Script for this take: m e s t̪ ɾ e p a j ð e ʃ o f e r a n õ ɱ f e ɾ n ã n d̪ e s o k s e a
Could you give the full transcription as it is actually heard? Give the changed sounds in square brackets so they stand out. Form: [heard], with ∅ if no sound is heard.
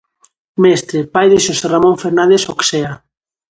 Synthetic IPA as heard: m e s t̪ ɾ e p a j ð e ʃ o [s] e r a [m] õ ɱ f e ɾ n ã n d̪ e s o k s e a